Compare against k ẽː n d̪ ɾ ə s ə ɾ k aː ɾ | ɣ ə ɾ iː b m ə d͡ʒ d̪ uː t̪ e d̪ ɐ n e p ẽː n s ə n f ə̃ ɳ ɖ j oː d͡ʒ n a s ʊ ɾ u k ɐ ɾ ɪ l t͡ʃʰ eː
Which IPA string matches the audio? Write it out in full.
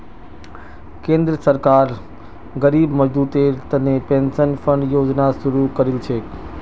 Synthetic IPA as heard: k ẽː n d̪ ɾ ə s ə ɾ k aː ɾ | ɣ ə ɾ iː b m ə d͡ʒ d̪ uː t̪ e t̪ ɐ n e p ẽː n s ə n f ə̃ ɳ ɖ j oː d͡ʒ n a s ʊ ɾ u k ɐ ɾ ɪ l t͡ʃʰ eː